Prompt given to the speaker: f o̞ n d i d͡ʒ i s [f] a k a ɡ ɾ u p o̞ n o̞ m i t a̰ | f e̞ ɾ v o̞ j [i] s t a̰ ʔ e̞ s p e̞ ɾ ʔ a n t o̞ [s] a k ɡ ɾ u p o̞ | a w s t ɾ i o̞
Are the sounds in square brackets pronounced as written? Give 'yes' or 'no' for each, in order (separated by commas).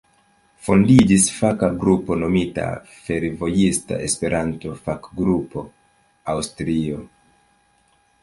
yes, yes, no